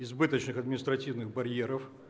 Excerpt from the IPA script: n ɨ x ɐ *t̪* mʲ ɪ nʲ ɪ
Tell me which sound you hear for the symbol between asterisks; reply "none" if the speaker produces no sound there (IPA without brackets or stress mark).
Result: d̪